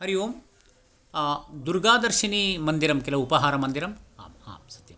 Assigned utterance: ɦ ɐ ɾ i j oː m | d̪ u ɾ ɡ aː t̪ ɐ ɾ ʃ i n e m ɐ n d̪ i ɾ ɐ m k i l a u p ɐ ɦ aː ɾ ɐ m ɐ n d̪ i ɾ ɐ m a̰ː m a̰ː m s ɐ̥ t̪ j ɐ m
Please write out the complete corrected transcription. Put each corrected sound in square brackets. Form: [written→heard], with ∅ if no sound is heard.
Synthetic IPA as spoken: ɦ ɐ ɾ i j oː m | d̪ u ɾ ɡ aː [t̪→d̪] ɐ ɾ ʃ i n [e→i] m ɐ n d̪ i ɾ ɐ m k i l [a→ɐ] u p ɐ ɦ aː ɾ ɐ m ɐ n d̪ i ɾ ɐ m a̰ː m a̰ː m s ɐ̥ t̪ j ɐ m